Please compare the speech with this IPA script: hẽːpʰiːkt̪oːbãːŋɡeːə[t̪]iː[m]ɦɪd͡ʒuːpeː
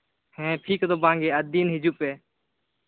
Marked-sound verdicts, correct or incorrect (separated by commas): incorrect, incorrect